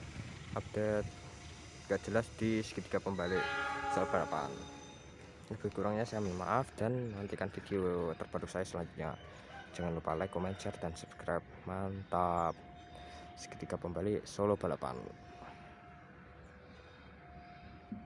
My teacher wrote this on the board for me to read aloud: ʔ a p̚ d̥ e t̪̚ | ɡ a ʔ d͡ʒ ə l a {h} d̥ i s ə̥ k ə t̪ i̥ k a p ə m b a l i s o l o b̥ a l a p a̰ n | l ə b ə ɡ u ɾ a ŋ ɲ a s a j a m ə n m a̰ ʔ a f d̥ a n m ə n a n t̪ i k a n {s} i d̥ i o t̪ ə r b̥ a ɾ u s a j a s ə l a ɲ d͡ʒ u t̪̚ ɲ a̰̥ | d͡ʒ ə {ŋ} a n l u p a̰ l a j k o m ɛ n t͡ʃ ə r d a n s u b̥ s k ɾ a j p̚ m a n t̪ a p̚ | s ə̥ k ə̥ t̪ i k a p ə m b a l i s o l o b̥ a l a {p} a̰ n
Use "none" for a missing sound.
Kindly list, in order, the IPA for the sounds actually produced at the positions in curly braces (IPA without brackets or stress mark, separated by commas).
s, f, ŋ, p